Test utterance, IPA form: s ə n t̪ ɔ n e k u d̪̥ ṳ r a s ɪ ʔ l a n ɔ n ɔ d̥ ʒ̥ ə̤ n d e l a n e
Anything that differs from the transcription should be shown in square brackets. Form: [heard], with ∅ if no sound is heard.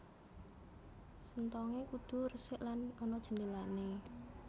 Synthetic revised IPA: s ə n t̪ ɔ [ŋ] e k u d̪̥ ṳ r [ə] s ɪ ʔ l a n ɔ n ɔ d̥ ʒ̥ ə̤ n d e l a n e